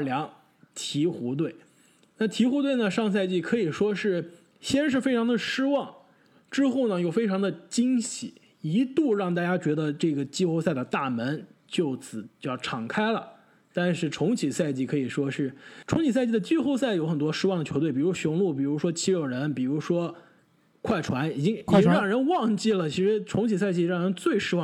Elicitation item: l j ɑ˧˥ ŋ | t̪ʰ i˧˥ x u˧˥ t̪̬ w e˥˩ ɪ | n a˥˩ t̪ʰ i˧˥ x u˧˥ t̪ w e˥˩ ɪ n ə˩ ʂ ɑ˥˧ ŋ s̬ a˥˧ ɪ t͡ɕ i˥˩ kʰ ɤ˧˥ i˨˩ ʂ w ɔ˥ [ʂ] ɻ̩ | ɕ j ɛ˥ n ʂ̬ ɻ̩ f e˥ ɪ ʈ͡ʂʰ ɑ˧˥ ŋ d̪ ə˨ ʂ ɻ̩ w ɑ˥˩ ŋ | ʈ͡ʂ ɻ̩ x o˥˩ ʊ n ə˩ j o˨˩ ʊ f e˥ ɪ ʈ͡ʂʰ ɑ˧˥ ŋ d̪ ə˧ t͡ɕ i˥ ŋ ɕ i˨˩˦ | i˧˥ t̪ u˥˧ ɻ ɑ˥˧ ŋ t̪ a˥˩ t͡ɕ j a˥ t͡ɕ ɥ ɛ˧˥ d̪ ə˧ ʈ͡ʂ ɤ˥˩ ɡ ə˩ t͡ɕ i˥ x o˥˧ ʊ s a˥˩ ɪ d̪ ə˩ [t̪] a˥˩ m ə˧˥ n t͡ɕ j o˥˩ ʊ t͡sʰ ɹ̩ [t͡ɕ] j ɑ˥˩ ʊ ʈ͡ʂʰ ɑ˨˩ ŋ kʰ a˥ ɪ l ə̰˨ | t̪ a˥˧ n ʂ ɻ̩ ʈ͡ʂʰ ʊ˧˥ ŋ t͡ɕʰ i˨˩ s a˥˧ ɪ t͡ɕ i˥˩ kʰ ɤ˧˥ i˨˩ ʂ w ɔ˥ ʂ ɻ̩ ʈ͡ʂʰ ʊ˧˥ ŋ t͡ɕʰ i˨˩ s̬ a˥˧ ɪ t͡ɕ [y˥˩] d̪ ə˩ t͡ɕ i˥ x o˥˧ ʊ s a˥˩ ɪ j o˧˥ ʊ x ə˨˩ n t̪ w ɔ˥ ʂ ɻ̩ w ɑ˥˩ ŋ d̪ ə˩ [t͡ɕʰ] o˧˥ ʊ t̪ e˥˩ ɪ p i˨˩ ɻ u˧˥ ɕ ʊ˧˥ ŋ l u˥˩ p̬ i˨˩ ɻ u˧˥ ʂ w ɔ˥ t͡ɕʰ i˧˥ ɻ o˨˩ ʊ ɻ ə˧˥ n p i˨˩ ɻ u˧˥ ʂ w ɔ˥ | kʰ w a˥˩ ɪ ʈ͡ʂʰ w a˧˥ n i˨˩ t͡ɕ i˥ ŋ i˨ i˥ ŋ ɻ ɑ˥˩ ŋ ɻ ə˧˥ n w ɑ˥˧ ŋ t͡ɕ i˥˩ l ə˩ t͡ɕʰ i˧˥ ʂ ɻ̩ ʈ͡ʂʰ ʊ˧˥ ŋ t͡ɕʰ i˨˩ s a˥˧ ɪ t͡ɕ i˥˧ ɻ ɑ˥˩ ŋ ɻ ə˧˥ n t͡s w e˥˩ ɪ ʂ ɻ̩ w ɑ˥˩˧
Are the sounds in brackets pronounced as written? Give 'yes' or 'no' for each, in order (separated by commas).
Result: yes, yes, yes, no, yes